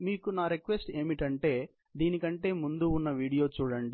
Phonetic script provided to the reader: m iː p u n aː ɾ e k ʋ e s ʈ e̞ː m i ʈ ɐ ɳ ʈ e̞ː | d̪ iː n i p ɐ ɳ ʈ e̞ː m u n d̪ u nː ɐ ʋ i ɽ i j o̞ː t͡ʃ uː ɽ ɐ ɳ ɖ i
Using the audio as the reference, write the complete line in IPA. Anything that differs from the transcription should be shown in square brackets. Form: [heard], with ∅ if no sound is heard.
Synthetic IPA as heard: m iː [k] u n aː ɾ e k ʋ e s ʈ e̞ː m i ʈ ɐ ɳ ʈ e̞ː | d̪ iː n i [k] ɐ ɳ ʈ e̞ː m u n d̪ u nː ɐ ʋ [iː] ɽ i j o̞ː t͡ʃ uː ɽ ɐ ɳ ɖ i